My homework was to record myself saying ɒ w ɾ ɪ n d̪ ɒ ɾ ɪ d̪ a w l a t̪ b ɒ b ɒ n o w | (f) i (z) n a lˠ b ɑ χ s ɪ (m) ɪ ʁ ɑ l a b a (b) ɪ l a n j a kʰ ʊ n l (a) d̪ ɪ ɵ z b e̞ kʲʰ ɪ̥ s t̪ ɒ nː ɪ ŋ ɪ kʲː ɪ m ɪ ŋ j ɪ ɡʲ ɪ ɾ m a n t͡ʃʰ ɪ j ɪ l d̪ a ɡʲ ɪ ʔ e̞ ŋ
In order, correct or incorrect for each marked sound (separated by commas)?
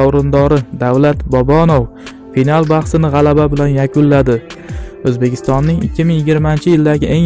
correct, incorrect, incorrect, correct, correct